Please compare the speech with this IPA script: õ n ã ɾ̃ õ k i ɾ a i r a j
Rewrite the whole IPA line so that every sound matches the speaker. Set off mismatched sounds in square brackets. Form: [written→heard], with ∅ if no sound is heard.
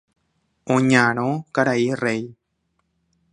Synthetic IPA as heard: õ [n→ɲ] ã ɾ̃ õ k [i→a] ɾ a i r [a→e] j